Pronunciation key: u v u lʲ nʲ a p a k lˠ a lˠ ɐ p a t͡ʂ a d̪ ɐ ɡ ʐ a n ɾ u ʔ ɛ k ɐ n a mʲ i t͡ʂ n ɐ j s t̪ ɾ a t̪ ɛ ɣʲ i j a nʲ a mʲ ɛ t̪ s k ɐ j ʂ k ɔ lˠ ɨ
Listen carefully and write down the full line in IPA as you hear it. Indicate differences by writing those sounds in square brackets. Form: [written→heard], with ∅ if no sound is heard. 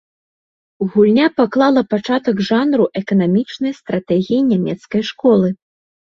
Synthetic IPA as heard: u [v→ɣ] u lʲ nʲ a p a k lˠ a lˠ ɐ p a t͡ʂ a [d̪→t̪] ɐ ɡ ʐ a n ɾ u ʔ ɛ k ɐ n a mʲ i t͡ʂ n ɐ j s t̪ ɾ a t̪ ɛ ɣʲ i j [a→i] nʲ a mʲ ɛ t̪ s k ɐ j ʂ k ɔ lˠ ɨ